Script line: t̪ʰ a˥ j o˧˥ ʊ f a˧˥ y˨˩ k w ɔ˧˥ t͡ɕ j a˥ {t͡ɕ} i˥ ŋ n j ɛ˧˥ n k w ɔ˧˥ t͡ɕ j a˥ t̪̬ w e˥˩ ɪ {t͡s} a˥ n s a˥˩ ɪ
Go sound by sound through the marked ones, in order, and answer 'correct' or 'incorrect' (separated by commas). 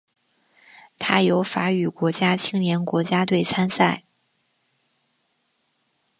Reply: incorrect, incorrect